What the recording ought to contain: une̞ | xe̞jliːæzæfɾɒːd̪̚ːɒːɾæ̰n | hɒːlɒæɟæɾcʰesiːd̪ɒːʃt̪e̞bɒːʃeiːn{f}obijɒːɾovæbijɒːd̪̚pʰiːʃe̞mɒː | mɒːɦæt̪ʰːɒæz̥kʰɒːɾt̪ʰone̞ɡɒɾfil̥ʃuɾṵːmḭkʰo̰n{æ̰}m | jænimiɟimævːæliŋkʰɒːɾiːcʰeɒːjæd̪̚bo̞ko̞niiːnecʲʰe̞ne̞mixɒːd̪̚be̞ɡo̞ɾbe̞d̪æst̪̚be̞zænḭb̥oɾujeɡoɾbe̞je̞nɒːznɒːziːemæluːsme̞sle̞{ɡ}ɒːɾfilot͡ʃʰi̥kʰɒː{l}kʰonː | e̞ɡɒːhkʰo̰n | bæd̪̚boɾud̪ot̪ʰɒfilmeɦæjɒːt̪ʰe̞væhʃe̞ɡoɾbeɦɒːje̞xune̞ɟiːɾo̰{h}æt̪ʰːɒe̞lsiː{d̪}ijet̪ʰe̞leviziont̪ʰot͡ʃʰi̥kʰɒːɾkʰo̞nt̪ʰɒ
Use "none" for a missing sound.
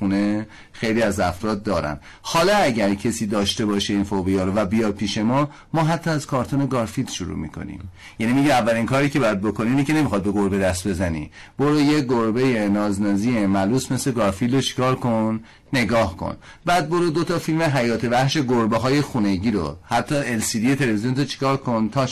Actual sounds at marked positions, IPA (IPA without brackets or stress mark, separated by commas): f, ḭ, ɡ, ɾ, h, d̪